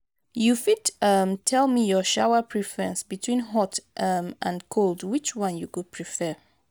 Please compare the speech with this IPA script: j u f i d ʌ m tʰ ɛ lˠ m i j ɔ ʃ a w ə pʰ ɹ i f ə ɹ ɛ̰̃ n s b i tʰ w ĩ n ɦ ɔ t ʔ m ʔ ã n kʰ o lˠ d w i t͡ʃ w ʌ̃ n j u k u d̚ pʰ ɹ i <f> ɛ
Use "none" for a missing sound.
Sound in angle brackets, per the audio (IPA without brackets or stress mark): f